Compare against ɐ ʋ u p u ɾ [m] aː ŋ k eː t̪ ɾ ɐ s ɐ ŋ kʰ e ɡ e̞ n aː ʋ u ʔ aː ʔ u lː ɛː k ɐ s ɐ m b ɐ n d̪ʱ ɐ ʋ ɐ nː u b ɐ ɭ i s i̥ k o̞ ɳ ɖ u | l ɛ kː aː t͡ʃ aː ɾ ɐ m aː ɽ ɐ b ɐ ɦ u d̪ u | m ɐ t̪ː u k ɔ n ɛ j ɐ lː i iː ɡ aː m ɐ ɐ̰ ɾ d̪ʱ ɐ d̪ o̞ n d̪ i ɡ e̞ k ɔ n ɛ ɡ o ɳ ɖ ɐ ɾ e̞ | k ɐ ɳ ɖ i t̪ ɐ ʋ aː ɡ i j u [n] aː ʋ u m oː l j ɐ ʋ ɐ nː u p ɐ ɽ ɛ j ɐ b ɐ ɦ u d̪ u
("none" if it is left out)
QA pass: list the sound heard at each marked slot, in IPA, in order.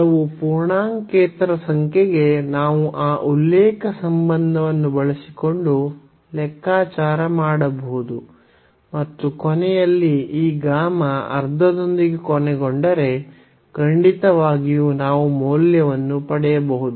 ɳ, n

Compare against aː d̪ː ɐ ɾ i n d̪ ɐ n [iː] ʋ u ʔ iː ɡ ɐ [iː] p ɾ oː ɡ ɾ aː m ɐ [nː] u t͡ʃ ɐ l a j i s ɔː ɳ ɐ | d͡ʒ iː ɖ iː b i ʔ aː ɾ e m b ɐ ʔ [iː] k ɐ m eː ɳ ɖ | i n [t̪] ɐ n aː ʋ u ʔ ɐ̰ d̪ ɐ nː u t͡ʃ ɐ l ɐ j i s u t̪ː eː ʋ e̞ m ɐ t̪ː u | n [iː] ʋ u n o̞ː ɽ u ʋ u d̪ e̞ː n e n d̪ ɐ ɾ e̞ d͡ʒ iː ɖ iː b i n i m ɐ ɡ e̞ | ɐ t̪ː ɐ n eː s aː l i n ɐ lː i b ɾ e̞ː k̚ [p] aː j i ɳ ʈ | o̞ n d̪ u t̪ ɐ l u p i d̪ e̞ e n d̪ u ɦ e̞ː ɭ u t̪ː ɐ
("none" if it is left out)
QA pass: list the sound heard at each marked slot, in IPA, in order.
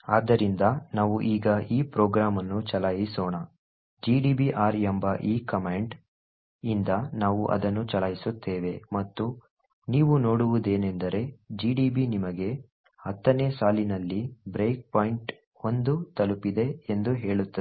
aː, iː, nː, iː, d̪, iː, p

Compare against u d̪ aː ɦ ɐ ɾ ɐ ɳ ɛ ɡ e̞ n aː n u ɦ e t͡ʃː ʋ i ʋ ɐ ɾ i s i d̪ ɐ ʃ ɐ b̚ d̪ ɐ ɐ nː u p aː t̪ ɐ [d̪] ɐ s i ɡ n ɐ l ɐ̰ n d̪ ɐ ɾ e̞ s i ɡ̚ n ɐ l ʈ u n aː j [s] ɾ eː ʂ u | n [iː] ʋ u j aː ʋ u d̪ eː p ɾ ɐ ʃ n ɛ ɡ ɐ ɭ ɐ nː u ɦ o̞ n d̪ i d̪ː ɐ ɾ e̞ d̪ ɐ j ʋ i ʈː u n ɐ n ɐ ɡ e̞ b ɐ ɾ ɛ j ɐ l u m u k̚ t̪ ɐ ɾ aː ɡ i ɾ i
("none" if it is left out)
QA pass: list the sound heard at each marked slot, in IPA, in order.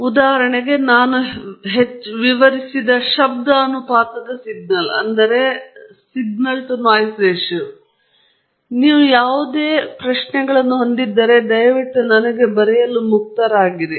d̪, s, iː

